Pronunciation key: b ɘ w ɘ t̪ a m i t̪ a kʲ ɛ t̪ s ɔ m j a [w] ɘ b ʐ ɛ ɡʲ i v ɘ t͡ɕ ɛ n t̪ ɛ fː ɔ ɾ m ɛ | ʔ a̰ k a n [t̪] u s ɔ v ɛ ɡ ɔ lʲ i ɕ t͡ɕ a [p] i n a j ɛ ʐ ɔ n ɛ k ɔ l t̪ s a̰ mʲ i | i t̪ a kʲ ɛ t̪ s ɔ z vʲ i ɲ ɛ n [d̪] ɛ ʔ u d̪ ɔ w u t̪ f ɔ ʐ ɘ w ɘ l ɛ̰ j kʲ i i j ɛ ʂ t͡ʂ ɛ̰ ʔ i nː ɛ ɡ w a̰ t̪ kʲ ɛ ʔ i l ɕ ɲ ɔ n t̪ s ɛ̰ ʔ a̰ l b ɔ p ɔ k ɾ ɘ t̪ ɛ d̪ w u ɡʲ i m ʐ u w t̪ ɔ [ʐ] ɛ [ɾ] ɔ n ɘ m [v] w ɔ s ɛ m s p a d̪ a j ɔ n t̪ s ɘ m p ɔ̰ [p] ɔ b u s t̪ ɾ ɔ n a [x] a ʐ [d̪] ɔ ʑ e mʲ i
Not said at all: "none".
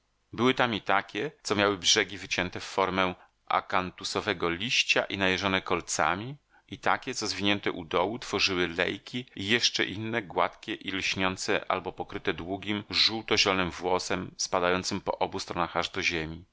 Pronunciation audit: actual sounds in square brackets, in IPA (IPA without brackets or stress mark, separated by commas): w, t̪, ʔ, t̪, ʑ, l, v, ʔ, x, d̪